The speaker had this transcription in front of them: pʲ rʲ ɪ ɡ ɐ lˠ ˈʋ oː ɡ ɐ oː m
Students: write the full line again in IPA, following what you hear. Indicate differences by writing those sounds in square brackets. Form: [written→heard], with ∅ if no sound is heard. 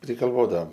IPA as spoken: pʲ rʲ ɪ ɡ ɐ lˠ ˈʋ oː [ɡ→d] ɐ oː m